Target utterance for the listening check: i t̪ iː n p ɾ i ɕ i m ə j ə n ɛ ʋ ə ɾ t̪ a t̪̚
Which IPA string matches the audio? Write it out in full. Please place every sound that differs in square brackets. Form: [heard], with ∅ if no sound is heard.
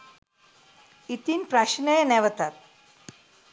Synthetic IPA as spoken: i t̪ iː n p ɾ [a] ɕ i [n] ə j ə n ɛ ʋ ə [∅] t̪ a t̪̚